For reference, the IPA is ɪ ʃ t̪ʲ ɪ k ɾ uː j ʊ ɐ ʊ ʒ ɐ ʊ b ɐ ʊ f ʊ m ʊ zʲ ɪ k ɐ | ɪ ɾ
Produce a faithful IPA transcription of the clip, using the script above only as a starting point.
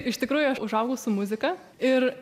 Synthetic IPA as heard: ɪ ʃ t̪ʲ ɪ k ɾ uː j ʊ ɐ ʊ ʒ ɐ ʊ ɡ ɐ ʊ s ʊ m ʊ zʲ ɪ k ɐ | ɪ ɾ